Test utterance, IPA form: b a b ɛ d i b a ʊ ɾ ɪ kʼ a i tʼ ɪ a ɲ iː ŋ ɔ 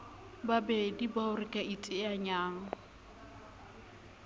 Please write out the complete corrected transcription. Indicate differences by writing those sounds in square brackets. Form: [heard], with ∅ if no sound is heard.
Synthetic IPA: b a b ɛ d i b a ʊ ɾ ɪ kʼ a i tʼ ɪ a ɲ [aː] ŋ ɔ